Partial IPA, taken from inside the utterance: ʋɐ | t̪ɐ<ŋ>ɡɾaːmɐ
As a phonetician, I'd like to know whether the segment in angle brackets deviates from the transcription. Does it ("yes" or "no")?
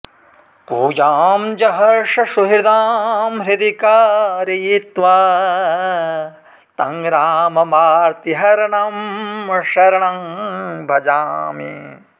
no